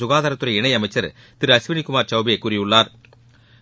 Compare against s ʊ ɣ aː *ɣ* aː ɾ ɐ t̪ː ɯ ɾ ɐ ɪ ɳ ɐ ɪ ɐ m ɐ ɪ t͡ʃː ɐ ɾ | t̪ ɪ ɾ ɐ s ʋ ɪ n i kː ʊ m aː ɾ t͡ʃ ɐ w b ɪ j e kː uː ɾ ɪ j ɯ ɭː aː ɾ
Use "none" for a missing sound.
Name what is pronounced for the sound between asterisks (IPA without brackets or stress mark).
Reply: ð